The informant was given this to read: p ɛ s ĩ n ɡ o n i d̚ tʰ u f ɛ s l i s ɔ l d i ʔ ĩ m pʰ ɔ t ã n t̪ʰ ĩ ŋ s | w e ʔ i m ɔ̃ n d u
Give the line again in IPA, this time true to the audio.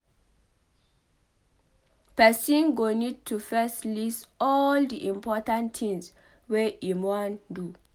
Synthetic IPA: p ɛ s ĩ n ɡ o n i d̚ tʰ u f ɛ s l i s ɔ l d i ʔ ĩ m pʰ ɔ t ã n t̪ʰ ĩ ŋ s | w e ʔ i m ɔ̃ n d u